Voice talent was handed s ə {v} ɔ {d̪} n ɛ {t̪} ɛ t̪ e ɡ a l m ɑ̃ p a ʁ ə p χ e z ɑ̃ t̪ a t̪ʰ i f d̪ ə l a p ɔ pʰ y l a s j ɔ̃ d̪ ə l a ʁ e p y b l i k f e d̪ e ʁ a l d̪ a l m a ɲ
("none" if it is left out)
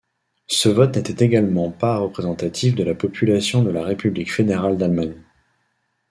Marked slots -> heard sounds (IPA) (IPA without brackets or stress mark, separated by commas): v, t̪, t̪